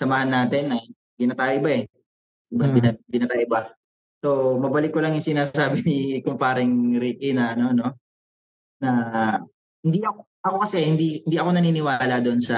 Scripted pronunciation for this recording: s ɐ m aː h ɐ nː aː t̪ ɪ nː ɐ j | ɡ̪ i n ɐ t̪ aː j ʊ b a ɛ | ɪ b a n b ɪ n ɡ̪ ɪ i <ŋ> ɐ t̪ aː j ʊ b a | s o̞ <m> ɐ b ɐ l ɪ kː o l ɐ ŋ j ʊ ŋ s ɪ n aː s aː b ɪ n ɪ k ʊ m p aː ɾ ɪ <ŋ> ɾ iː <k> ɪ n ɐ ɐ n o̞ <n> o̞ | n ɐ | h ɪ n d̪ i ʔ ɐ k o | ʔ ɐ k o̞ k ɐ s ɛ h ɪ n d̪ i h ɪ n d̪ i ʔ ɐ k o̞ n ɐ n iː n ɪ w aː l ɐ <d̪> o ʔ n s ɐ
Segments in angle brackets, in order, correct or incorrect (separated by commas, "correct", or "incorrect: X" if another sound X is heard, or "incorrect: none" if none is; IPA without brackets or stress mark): incorrect: n, correct, correct, correct, correct, correct